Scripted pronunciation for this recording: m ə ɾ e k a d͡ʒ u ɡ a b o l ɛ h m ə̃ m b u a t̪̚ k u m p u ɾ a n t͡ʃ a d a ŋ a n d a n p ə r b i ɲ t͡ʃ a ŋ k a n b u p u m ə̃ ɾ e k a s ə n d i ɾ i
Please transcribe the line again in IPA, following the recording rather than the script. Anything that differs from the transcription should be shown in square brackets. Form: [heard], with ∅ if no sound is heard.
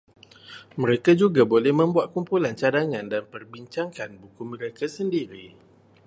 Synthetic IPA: m ə ɾ e k a d͡ʒ u ɡ a b o l ɛ h m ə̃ m b u a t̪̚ k u m p u [l] a n t͡ʃ a d a ŋ a n d a n p ə r b i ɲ t͡ʃ a ŋ k a n b u [k] u m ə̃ ɾ e k a s ə n d i ɾ i